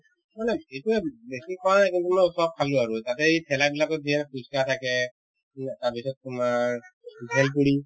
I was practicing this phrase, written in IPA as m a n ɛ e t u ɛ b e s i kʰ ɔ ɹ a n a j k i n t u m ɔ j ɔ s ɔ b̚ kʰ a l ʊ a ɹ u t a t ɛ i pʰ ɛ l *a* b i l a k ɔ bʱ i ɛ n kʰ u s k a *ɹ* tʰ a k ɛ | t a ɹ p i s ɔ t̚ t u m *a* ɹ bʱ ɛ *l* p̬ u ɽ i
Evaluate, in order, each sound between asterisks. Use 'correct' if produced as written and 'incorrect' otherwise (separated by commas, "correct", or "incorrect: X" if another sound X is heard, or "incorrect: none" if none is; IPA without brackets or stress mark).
correct, incorrect: none, correct, correct